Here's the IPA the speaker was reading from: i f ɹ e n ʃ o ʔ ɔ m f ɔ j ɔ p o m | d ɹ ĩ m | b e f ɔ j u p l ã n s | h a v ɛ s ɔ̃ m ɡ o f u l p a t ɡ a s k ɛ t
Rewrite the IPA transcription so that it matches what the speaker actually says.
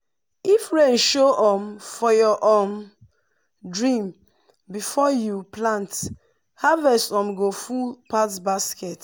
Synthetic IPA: i f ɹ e n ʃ o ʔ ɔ m f ɔ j ɔ ʔ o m | d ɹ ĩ m | b i f ɔ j u p l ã n t | h a v ɛ s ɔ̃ m ɡ o f u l p a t b a s k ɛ t